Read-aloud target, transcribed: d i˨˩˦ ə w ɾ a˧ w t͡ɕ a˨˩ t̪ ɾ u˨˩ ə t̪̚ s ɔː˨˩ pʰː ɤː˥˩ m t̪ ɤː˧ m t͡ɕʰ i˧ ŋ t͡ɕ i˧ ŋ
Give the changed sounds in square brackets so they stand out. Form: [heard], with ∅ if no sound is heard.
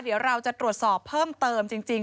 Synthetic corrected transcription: d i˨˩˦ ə w ɾ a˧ w t͡ɕ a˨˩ t̪ ɾ u˨˩ ə t̪̚ s ɔː˨˩ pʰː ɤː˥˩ m t̪ ɤː˧ m [t͡ɕ] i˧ ŋ t͡ɕ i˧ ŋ